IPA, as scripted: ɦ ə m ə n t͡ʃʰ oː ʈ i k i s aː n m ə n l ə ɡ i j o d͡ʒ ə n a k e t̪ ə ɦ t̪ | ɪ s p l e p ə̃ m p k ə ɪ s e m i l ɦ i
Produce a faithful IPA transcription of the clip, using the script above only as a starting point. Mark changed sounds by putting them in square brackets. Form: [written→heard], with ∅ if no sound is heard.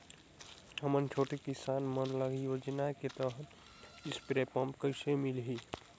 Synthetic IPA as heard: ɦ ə m ə n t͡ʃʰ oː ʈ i k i s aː n m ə n l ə ɡ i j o d͡ʒ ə n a k e t̪ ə ɦ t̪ | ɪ s p [l→ɾ] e p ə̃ m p k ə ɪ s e m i l ɦ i